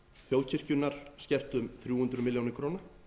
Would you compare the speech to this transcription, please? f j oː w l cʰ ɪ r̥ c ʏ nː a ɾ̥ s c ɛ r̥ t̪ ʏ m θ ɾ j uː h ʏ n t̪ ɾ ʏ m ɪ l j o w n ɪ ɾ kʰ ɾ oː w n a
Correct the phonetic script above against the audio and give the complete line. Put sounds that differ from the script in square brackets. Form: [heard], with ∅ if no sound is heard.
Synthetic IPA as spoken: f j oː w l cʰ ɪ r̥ c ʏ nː a ɾ̥ s c ɛ r̥ t̪ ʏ m θ ɾ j uː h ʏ n t̪ ɾ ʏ m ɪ l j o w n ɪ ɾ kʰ ɾ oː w n a